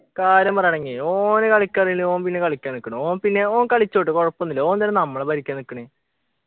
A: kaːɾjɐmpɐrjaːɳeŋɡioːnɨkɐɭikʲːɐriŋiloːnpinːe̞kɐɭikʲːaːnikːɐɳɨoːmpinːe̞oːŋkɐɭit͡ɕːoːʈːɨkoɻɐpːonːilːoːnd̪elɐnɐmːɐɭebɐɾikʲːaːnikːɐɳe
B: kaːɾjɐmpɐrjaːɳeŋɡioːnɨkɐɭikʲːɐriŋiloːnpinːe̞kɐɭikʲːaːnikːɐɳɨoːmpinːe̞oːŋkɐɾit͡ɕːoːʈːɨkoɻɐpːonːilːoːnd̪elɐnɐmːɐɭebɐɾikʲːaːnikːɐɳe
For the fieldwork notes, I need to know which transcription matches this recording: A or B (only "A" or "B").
A